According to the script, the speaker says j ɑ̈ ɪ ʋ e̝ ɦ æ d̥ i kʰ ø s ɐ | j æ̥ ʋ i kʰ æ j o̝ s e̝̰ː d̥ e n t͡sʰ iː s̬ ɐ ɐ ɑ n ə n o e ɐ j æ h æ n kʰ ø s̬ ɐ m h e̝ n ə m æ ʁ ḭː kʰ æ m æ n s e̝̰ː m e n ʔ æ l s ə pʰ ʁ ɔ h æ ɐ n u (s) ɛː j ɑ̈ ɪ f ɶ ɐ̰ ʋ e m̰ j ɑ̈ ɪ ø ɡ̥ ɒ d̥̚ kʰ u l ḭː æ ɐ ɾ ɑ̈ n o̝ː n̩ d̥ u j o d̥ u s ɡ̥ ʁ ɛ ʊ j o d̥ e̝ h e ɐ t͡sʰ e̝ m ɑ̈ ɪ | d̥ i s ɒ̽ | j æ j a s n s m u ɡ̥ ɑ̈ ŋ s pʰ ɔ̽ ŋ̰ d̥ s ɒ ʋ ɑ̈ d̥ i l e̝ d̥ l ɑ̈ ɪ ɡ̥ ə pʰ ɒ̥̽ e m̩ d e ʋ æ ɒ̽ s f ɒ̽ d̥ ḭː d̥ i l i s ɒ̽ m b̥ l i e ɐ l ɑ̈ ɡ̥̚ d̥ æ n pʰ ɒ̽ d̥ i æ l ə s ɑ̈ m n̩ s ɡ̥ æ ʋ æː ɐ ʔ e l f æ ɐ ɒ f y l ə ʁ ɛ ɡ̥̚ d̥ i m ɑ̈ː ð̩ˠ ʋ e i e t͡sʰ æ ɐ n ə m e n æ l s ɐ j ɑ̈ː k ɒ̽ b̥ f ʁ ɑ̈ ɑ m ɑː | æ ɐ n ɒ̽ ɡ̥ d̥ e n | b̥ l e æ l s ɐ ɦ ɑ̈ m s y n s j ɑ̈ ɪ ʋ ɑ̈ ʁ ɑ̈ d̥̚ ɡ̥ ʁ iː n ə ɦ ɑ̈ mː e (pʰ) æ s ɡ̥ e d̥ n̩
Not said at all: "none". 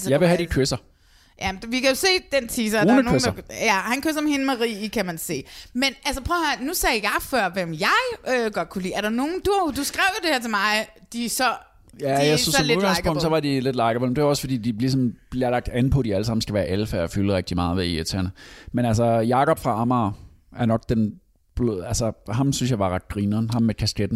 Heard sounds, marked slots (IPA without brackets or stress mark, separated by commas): s, kʰ